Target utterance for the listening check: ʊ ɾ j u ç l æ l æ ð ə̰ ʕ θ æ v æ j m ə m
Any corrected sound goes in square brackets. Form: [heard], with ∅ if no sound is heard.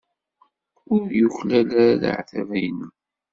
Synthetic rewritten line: ʊ ɾ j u ç l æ l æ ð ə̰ ʕ θ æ v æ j [n] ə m